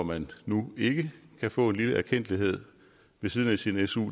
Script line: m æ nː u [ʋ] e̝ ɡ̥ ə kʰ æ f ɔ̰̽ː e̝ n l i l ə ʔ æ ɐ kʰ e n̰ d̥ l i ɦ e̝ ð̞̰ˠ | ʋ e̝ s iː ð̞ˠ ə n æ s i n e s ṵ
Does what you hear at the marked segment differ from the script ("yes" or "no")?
yes